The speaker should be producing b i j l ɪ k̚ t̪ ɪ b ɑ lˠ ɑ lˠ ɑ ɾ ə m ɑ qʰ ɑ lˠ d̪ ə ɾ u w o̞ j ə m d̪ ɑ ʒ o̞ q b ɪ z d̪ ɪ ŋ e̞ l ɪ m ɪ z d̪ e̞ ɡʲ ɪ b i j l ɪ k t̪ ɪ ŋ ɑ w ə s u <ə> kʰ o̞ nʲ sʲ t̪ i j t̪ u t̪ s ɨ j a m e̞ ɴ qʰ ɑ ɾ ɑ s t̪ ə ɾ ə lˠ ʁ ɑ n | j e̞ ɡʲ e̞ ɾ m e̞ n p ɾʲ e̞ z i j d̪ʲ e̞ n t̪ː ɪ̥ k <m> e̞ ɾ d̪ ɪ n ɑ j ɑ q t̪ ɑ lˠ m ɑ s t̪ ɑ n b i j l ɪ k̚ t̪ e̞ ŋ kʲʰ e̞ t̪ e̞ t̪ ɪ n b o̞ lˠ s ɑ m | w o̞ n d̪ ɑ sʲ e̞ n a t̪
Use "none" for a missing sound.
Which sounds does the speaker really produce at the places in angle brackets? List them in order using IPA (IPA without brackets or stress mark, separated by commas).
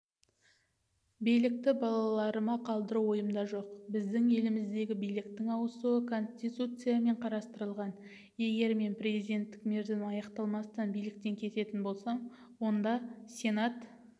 ə, m